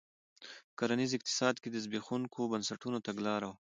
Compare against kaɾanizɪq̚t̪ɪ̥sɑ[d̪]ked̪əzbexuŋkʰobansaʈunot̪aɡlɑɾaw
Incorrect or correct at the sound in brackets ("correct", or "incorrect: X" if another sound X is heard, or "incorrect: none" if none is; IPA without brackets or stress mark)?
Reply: correct